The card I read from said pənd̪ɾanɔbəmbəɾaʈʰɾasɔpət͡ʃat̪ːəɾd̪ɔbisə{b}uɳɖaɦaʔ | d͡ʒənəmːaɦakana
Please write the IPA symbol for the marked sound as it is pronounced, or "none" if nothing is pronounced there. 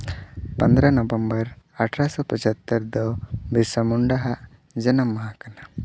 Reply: m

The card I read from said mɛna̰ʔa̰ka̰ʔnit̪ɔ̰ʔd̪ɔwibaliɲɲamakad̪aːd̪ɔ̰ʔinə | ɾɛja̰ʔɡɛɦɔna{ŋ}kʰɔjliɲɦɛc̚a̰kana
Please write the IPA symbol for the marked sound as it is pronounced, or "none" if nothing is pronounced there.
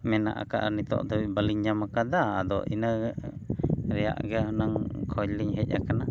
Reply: ŋ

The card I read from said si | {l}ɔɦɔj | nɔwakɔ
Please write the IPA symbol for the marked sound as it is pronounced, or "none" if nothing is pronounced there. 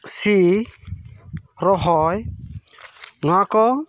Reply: ɾ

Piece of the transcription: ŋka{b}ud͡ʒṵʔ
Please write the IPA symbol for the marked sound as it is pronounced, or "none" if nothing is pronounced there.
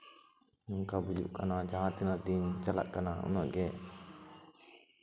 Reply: b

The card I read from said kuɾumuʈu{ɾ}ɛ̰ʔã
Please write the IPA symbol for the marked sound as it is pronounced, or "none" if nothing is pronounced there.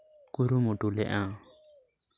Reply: l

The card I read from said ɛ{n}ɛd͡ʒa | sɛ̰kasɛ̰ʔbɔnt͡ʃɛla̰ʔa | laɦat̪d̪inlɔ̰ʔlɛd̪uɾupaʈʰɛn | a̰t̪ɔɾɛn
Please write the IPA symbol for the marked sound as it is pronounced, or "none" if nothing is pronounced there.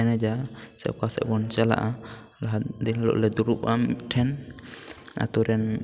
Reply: n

